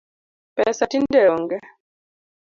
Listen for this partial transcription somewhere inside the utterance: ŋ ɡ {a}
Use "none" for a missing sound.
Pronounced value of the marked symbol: ɛ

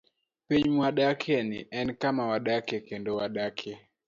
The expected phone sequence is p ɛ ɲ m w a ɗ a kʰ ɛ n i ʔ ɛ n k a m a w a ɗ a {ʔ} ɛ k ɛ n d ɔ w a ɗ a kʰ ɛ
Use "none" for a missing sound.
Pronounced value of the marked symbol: k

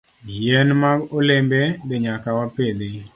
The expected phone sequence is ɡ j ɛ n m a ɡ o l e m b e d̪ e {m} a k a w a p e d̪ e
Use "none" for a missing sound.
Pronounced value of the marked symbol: ɲ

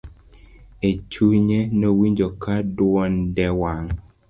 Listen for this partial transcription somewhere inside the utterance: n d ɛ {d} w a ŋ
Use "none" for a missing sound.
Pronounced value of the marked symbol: none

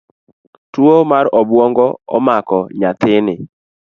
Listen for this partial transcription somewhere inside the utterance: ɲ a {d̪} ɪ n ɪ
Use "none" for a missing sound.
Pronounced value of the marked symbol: t̪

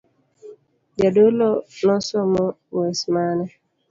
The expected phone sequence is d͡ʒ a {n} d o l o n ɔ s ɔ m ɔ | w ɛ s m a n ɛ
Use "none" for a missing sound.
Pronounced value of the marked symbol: none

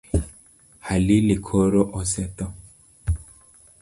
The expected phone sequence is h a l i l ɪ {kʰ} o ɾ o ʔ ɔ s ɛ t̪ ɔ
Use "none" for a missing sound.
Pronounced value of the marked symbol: kʰ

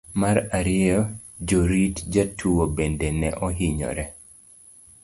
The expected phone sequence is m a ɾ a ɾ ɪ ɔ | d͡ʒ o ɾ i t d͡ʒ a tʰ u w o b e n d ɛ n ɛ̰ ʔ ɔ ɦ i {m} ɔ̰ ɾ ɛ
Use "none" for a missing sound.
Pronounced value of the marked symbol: ɲ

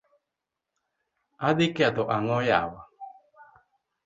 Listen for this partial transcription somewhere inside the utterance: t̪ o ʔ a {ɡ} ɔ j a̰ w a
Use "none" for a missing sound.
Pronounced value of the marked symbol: ŋ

